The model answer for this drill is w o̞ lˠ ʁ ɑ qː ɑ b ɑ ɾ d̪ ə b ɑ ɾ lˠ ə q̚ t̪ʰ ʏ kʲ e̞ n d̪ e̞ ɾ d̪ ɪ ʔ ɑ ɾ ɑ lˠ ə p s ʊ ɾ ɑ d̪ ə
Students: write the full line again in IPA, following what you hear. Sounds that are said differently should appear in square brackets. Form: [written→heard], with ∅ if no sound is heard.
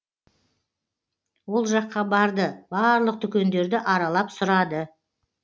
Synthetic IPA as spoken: w o̞ lˠ [ʁ→ʒ] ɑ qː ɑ b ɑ ɾ d̪ ə b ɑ ɾ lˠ ə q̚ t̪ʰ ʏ kʲ e̞ n d̪ e̞ ɾ d̪ ɪ ʔ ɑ ɾ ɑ lˠ [ə→ɑ] p s ʊ ɾ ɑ d̪ ə